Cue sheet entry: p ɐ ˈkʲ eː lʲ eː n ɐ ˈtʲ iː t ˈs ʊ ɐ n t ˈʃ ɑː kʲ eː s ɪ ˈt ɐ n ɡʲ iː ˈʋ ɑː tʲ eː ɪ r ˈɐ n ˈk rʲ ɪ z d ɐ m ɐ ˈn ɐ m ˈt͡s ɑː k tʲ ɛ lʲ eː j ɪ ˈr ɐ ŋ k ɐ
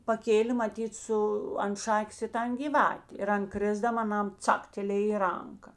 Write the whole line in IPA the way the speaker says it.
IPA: p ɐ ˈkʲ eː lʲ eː m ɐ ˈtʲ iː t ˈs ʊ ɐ n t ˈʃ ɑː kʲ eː s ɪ ˈt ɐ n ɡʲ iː ˈʋ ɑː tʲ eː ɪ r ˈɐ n ˈk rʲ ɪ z d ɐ m ɐ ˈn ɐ m ˈt͡s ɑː k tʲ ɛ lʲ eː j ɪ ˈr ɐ ŋ k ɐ